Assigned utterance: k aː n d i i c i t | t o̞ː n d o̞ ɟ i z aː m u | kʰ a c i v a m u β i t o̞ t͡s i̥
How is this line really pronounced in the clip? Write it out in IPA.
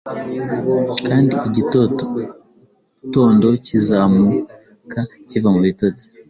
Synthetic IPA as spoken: k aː n d i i ɟ i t | t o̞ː n d o̞ c i z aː m u | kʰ a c i v a m u β i t o̞ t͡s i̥